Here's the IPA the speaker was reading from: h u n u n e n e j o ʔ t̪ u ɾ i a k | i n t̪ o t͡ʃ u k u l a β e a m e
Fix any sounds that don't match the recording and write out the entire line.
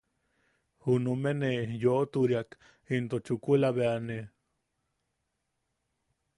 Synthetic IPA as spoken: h u n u m e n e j o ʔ t̪ u ɾ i a k | i n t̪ o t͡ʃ u k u l a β e a n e